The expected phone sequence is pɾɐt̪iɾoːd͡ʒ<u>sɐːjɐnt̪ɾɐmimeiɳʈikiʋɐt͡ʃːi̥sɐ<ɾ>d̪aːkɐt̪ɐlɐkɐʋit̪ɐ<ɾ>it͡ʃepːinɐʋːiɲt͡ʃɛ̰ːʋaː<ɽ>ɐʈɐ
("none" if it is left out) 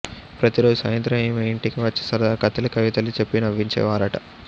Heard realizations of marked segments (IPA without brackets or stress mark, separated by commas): u, ɾ, l, ɾ